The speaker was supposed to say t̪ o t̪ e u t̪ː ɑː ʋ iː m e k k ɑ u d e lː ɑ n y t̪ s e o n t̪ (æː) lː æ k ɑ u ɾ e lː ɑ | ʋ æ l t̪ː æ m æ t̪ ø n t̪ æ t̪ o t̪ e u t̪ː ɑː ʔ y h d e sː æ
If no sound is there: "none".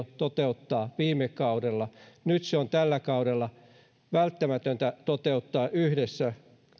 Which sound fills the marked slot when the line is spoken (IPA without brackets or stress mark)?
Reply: æ